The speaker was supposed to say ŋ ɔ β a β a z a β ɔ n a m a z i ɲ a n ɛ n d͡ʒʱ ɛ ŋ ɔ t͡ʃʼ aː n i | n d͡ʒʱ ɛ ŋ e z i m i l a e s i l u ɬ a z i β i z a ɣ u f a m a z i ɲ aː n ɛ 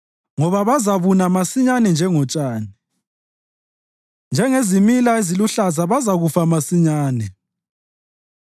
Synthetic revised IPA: ŋ ɔ β a β a z a β u n a m a s i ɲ a n ɛ n d͡ʒʱ ɛ ŋ ɔ t͡ʃʼ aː n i | n d͡ʒʱ ɛ ŋ e z i m i l a e z i l u ɬ a z a β a z a ɣ u f a m a s i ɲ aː n ɛ